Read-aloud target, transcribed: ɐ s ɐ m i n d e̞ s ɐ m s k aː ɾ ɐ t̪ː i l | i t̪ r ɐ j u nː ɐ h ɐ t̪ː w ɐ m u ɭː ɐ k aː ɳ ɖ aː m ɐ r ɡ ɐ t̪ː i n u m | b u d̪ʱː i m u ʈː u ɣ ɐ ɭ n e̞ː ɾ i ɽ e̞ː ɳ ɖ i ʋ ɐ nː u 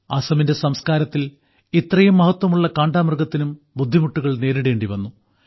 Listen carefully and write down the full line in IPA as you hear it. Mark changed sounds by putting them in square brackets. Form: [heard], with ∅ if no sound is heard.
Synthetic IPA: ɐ s ɐ m i n d e̞ s ɐ m s k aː ɾ ɐ t̪ː i l | i t̪ r ɐ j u [mː] ɐ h ɐ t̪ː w ɐ m u ɭː ɐ k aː ɳ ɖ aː m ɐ r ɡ ɐ t̪ː i n u m | b u d̪ʱː i m u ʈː u ɣ ɐ ɭ n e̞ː ɾ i ɽ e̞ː ɳ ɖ i ʋ ɐ nː u